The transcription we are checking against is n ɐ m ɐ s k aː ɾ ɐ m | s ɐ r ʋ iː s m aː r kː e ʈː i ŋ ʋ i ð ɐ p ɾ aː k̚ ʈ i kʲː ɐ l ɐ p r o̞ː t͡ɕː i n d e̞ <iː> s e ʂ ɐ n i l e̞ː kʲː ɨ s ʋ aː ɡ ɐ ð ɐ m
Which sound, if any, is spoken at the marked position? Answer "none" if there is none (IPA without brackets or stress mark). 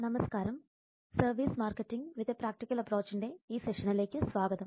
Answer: iː